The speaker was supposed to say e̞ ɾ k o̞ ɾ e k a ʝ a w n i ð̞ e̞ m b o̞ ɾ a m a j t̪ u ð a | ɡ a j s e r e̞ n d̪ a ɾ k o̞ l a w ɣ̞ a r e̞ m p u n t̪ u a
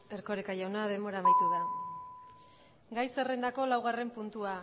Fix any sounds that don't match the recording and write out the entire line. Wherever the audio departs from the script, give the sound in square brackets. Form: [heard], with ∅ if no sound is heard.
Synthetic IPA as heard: e̞ ɾ k o̞ ɾ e k a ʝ a w n [a] ð̞ e̞ m b o̞ ɾ a m a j t̪ u ð a | ɡ a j s e r e̞ n d̪ a [∅] k o̞ l a w ɣ̞ a r e̞ m p u n t̪ u a